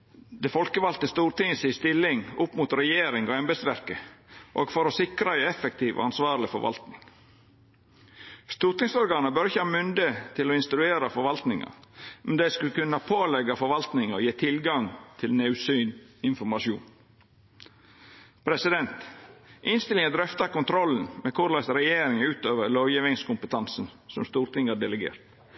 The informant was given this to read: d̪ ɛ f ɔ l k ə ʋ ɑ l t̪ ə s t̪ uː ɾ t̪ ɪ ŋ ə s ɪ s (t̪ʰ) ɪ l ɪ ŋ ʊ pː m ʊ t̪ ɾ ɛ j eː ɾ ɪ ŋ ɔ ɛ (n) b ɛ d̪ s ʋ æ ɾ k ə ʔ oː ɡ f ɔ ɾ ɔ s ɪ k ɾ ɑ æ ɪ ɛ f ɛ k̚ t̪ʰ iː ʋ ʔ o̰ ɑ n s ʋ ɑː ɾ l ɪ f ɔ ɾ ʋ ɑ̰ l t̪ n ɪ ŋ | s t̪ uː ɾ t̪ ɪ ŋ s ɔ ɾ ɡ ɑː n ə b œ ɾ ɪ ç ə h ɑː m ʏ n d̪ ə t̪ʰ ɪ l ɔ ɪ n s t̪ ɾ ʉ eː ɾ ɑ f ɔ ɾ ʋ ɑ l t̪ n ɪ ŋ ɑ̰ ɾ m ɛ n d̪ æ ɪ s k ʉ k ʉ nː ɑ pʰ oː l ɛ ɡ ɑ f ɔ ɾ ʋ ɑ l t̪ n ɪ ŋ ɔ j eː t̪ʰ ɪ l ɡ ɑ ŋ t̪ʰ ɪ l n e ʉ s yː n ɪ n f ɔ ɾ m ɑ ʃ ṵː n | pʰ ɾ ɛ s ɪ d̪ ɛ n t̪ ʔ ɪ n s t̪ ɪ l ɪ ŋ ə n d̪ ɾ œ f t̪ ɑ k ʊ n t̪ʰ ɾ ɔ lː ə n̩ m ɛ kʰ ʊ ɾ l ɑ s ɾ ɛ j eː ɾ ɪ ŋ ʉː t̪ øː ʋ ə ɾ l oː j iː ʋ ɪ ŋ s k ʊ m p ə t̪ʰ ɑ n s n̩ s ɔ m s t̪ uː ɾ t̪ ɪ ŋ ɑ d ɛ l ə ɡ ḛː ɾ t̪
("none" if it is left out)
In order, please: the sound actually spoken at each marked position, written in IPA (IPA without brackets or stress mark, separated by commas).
t̪, m